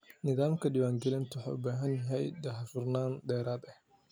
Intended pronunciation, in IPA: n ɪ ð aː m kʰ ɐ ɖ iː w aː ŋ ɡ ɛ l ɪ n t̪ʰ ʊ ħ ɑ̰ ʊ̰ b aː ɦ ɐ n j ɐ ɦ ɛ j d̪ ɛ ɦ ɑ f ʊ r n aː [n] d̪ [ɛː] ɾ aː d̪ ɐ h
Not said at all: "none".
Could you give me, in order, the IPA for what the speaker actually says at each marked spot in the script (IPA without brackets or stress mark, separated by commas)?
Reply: n, ɛː